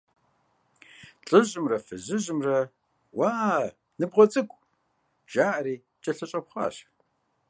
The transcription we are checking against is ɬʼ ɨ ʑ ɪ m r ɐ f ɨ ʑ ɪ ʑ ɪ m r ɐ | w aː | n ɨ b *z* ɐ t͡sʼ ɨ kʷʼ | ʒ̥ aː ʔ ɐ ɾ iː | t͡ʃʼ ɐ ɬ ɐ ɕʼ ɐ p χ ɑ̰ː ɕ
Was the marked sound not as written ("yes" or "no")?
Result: yes